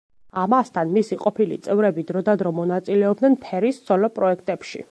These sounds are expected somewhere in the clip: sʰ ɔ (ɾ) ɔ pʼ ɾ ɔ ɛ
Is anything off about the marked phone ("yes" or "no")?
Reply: yes